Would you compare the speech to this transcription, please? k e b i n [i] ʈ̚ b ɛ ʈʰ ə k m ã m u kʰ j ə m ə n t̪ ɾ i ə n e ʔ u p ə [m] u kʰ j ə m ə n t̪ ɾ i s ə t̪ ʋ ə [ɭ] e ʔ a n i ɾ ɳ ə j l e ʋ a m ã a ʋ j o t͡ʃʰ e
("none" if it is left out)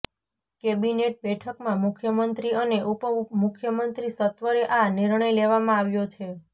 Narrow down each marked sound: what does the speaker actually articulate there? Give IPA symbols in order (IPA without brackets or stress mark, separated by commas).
e, m, ɾ